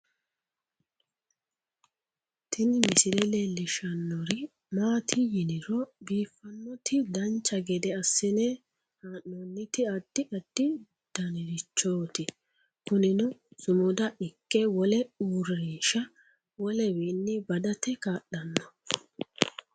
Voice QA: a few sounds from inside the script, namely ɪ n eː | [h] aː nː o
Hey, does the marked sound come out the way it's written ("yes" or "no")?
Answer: yes